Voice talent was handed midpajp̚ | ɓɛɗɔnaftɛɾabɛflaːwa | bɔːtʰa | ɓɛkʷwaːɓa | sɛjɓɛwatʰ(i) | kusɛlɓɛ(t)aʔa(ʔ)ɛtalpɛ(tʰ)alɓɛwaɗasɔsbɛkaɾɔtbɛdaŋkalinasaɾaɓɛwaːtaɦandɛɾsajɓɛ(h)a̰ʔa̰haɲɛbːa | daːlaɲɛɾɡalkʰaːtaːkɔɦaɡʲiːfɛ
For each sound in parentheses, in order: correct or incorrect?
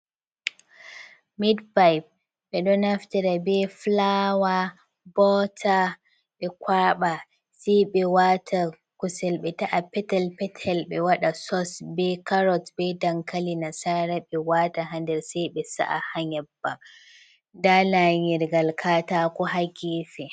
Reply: incorrect, correct, incorrect, correct, incorrect

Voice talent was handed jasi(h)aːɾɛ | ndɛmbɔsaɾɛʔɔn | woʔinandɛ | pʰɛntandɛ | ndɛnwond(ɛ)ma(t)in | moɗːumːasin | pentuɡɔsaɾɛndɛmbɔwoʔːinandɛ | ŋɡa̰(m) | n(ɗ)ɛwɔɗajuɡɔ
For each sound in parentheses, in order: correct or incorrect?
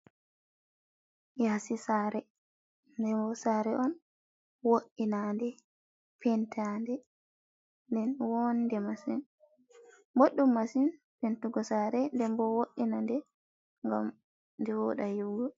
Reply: incorrect, correct, incorrect, correct, incorrect

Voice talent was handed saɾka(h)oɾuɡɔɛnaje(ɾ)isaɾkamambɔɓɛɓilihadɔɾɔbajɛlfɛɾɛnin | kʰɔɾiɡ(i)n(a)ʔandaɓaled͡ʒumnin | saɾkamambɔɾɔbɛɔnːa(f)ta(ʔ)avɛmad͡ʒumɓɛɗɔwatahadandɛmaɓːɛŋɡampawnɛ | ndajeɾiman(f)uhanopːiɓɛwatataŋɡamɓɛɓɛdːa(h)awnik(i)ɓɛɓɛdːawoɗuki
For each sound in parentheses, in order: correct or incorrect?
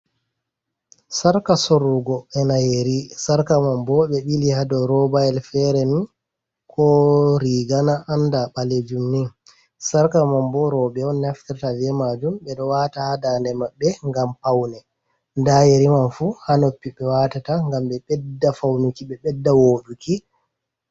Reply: incorrect, correct, incorrect, correct, correct, incorrect, correct, incorrect, correct

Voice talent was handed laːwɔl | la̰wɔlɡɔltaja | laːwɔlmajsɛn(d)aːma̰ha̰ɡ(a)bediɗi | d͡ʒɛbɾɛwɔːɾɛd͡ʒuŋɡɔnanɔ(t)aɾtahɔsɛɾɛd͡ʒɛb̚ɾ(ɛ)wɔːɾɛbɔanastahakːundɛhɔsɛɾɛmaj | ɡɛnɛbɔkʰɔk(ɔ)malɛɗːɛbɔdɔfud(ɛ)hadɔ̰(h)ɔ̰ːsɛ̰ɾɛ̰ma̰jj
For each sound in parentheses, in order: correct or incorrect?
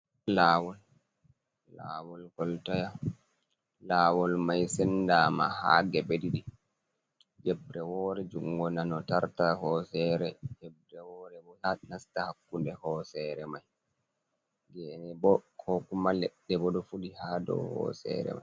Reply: correct, incorrect, correct, correct, incorrect, incorrect, correct

